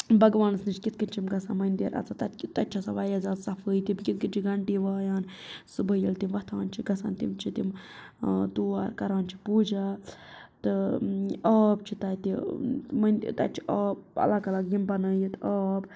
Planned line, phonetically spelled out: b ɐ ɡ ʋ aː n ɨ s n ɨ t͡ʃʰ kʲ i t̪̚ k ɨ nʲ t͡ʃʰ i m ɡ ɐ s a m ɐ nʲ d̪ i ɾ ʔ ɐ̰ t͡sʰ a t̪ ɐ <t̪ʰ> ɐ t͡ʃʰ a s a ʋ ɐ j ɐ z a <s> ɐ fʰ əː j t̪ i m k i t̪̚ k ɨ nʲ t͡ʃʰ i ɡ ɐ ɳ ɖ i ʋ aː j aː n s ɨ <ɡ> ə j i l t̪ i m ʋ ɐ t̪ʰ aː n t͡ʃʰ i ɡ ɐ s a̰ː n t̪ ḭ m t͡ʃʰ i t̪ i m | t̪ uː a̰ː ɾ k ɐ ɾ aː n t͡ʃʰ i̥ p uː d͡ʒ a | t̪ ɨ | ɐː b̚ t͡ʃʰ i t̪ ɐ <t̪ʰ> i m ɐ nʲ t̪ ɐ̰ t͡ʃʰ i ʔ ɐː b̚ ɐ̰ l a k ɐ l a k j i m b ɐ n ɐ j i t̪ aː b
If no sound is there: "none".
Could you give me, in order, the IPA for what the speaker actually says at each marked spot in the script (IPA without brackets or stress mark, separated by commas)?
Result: t̪, s, b, t̪